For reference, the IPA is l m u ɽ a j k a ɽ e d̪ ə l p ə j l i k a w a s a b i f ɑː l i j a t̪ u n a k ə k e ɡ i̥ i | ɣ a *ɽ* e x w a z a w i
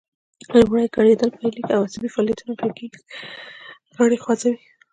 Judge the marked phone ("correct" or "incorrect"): correct